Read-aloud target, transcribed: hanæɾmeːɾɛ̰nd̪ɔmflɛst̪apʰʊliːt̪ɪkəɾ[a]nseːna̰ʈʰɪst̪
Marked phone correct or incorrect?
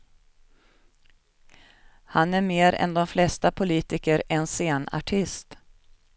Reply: incorrect: ɛ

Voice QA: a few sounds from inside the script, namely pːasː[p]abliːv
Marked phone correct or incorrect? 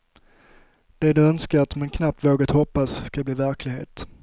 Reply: incorrect: k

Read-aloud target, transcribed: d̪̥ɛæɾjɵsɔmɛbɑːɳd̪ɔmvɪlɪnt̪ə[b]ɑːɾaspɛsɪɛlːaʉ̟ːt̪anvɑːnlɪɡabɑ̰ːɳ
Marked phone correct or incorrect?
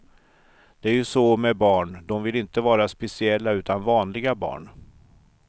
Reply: incorrect: v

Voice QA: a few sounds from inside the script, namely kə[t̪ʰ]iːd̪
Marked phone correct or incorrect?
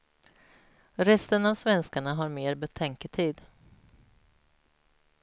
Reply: correct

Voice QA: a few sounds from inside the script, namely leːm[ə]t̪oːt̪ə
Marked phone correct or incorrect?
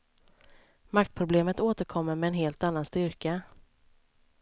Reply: correct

